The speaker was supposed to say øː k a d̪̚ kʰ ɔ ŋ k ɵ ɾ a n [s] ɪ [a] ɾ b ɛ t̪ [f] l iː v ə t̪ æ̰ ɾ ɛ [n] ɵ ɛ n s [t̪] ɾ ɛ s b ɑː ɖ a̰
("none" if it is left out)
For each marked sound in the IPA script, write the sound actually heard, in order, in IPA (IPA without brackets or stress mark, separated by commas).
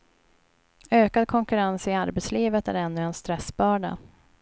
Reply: s, a, s, nː, t̪